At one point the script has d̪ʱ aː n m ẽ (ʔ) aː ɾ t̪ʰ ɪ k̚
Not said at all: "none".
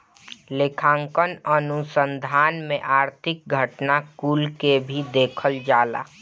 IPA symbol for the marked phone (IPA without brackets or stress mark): ʔ